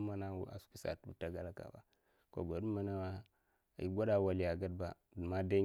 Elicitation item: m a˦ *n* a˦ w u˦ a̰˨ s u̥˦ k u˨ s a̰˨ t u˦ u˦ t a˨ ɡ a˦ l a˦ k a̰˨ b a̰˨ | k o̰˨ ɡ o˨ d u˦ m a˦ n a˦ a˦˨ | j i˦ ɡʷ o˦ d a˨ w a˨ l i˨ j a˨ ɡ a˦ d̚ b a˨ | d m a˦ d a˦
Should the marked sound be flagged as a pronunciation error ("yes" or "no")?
no